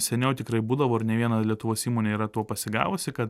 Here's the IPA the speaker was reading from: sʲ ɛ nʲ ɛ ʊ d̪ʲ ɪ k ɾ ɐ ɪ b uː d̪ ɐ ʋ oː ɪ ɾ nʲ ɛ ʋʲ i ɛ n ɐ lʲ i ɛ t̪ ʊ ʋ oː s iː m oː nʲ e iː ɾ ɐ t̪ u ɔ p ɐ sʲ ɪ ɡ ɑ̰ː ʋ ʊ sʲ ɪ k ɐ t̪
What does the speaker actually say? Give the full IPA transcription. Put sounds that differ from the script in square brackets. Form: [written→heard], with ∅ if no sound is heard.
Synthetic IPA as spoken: sʲ ɛ nʲ ɛ ʊ [d̪ʲ→t̪ʲ] ɪ k ɾ ɐ ɪ b uː d̪ ɐ ʋ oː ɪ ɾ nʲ ɛ ʋʲ i ɛ n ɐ lʲ i ɛ t̪ ʊ ʋ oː s iː m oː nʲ e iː ɾ ɐ t̪ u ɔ p ɐ sʲ ɪ ɡ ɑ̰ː ʋ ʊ sʲ ɪ k ɐ t̪